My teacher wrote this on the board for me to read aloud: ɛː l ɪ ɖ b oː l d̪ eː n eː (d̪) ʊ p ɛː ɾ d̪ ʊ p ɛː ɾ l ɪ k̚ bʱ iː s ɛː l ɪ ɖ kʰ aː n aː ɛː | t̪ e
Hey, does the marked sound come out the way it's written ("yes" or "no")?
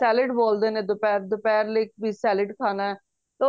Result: yes